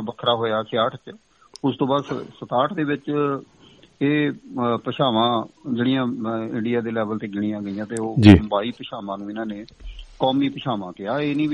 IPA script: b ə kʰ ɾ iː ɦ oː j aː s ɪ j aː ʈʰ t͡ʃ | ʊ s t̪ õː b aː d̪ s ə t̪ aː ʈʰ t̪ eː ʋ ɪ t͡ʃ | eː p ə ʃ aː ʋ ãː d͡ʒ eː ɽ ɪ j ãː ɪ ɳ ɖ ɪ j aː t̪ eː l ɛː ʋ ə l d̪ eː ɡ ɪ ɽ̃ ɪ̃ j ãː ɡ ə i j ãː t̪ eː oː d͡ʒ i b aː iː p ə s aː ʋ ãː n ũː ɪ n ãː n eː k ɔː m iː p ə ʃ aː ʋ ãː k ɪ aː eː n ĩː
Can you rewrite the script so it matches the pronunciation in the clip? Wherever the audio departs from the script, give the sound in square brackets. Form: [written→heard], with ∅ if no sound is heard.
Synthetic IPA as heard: b ə kʰ ɾ [iː→aː] ɦ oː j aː s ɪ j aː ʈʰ t͡ʃ | ʊ s t̪ õː b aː d̪ s ə t̪ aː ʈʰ [t̪→d̪] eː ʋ ɪ t͡ʃ | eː p ə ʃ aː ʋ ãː d͡ʒ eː ɽ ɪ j ãː ɪ ɳ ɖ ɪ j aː [t̪→d̪] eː l ɛː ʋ ə l [d̪→t̪] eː ɡ ɪ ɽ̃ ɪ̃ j ãː ɡ ə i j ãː t̪ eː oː d͡ʒ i b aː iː p ə [s→ʃ] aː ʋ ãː n ũː ɪ n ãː n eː k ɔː m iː p ə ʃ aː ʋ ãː k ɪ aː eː n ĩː